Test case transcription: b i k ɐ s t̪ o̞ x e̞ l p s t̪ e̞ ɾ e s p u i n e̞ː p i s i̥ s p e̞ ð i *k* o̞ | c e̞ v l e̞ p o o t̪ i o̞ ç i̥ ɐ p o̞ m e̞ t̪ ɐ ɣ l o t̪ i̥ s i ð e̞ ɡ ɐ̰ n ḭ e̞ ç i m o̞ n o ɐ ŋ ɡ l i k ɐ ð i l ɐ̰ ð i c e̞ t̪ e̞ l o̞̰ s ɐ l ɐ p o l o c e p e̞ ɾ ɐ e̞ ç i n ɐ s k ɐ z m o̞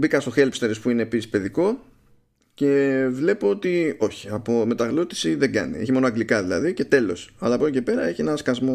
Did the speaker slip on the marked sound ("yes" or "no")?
no